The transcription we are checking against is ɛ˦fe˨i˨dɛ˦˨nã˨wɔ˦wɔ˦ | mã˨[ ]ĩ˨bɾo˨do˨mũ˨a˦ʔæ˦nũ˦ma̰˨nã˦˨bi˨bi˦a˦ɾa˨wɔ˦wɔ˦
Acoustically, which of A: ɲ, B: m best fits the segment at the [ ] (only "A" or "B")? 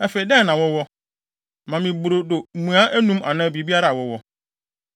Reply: B